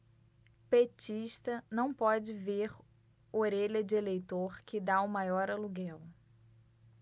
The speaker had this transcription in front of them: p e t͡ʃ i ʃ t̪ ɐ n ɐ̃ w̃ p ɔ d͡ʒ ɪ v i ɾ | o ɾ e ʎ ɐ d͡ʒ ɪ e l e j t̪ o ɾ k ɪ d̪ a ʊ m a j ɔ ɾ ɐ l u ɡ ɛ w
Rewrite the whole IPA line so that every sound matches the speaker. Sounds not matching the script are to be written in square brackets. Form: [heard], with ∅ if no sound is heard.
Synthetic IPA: p e t͡ʃ i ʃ t̪ ɐ n ɐ̃ w̃ p ɔ d͡ʒ ɪ v [e] ɾ | o ɾ e ʎ ɐ d͡ʒ ɪ e l e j t̪ o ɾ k ɪ d̪ a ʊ m a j ɔ ɾ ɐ l u ɡ ɛ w